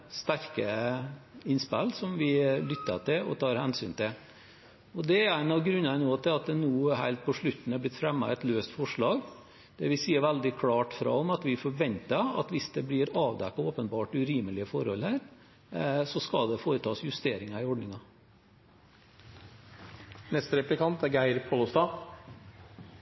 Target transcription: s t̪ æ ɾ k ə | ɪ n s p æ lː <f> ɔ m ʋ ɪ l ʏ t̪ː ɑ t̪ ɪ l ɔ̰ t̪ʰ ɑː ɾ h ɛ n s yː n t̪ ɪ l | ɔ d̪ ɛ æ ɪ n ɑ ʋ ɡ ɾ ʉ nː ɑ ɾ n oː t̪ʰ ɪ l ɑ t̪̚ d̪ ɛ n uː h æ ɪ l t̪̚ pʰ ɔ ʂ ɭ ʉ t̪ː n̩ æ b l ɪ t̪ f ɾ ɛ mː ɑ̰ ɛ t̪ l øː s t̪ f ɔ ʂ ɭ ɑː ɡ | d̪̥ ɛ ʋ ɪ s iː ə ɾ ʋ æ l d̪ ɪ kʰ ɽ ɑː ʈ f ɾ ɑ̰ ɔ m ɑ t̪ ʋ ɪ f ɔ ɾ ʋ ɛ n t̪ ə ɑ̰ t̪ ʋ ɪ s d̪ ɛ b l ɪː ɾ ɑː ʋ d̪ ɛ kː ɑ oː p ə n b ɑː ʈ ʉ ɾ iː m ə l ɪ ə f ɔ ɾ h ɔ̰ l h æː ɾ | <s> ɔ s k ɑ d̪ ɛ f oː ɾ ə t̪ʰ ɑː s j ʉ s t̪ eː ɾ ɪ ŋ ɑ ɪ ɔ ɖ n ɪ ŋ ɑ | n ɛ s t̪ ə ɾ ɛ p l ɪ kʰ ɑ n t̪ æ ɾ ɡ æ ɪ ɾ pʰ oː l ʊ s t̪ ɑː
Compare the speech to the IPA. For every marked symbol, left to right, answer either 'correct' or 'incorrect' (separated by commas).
incorrect, correct